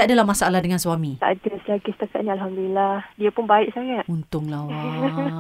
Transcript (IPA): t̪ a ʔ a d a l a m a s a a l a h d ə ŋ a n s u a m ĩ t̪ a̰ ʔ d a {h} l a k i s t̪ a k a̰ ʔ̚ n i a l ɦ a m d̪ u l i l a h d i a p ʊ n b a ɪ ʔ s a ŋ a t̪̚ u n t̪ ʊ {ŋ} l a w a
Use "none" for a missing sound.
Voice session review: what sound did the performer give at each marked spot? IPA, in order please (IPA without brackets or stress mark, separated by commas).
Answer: s, ŋ